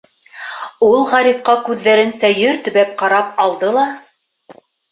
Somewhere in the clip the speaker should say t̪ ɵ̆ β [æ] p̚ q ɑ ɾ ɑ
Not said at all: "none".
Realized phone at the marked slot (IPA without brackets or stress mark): æ